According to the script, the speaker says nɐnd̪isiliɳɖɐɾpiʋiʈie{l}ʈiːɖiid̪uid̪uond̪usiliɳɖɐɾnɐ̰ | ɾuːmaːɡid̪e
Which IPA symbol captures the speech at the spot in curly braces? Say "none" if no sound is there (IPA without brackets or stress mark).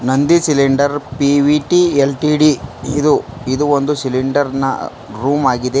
l